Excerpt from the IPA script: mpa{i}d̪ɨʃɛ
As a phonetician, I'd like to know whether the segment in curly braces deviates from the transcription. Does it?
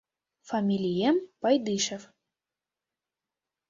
yes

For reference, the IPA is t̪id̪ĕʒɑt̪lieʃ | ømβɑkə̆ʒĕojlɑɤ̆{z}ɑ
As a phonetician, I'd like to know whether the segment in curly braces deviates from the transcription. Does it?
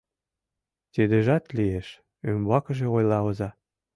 no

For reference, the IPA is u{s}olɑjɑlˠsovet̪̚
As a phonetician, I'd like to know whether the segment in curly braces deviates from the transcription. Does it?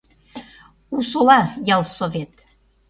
no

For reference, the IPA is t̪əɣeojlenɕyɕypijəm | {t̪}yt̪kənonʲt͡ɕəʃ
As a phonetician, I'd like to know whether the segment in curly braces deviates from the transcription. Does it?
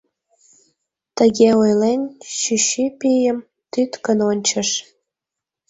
no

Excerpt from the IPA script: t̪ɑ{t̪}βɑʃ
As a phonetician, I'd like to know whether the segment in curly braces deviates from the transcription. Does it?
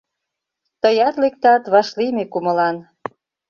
no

